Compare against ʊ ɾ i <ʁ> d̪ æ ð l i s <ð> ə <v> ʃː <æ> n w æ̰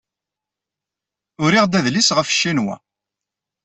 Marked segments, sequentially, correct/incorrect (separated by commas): correct, incorrect, incorrect, incorrect